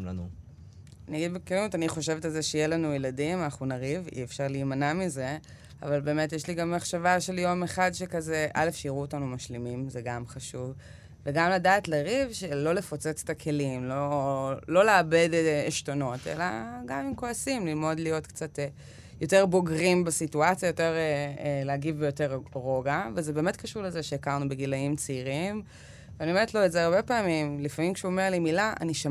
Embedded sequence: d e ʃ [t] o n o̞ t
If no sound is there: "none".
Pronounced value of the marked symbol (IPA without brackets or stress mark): t